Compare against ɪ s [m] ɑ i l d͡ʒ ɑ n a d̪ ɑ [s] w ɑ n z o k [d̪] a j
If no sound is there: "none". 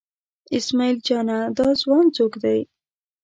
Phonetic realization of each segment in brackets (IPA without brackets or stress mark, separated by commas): m, z, d̪